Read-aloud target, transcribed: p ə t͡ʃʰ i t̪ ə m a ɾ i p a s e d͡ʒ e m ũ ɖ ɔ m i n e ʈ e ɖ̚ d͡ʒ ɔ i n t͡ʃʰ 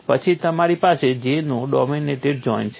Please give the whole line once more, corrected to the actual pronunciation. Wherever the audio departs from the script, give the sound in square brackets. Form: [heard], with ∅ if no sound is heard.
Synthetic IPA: p ə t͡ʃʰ i t̪ ə m a ɾ i p a s e d͡ʒ e [n] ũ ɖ ɔ m i n e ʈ e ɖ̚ d͡ʒ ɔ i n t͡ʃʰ